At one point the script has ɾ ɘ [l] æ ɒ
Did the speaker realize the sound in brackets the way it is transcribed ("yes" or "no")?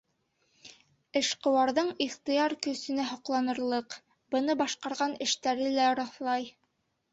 yes